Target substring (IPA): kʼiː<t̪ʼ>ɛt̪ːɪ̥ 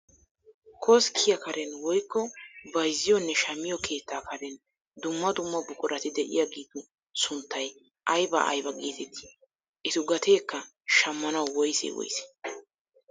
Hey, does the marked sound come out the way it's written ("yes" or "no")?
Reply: no